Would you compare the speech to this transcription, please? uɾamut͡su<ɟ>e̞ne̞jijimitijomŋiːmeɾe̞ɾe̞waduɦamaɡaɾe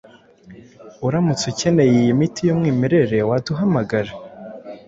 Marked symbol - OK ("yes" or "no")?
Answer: no